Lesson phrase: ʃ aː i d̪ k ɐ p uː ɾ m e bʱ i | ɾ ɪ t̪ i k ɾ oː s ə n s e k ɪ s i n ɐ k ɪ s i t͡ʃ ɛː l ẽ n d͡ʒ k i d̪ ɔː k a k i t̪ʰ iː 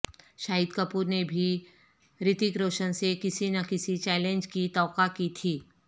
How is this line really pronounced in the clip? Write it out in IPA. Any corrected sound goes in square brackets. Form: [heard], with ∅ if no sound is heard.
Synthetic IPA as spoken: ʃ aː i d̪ k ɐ p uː ɾ [n] e bʱ i | ɾ ɪ t̪ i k ɾ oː [ʃ] ə n s e k ɪ s i n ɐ k ɪ s i t͡ʃ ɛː l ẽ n d͡ʒ k i [t̪] ɔː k a k i t̪ʰ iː